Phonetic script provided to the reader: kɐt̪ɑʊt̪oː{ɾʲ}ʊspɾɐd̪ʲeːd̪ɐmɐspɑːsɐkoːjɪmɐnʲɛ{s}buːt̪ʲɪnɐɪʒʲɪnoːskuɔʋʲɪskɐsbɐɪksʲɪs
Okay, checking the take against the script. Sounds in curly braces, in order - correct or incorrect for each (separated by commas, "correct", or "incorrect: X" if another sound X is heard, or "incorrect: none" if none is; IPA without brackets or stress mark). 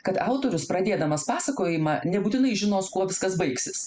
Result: correct, incorrect: none